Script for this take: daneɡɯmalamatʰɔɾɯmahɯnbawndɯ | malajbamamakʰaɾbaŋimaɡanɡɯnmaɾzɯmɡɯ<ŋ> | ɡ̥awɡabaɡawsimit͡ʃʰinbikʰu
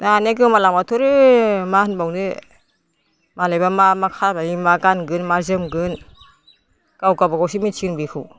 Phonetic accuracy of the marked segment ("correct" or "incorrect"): incorrect